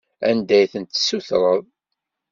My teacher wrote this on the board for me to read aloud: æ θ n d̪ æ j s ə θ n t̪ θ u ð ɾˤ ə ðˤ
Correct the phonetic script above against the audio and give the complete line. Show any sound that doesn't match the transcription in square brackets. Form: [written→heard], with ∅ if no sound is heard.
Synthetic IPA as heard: æ [θ→∅] n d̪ æ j [s→θ] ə [θ→∅] n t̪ [θ→s] u [ð→θ] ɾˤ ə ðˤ